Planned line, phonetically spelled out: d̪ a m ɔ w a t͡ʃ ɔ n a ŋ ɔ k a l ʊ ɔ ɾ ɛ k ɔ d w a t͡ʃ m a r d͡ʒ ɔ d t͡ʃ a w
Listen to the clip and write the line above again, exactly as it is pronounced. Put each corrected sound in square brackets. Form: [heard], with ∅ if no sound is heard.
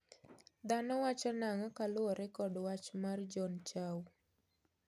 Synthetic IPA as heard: d̪ a [n] ɔ w a t͡ʃ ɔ n a ŋ ɔ k a l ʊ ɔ ɾ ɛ k ɔ d w a t͡ʃ m a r d͡ʒ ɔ [n] t͡ʃ a w